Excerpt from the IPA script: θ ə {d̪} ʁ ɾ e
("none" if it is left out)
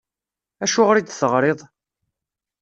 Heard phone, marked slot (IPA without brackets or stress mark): none